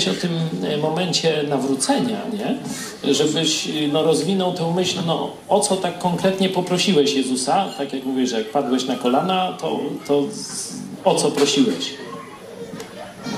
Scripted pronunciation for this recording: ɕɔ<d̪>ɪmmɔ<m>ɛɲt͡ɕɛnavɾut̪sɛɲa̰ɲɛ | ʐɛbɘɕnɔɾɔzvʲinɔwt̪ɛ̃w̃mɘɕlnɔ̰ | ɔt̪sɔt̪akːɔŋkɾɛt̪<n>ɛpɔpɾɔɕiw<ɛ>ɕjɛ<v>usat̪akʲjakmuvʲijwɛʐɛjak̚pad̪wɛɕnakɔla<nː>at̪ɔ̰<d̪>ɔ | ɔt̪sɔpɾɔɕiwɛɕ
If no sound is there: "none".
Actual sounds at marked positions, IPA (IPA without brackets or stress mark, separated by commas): t̪, m, ɲ, ɛ, z, n, t̪